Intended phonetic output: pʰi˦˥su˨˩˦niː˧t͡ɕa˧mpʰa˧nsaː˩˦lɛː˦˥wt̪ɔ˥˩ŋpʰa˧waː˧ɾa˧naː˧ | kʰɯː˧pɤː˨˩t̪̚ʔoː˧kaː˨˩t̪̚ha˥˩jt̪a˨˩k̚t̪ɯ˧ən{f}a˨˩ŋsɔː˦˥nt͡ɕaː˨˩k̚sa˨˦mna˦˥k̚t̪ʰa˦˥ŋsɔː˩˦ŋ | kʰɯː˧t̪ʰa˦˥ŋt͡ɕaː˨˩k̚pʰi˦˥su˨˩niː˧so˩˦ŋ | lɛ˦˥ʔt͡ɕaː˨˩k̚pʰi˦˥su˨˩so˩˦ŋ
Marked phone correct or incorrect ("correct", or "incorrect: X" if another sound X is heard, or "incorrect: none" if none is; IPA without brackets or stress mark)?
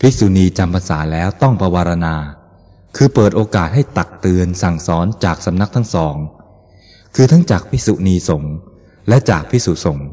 incorrect: s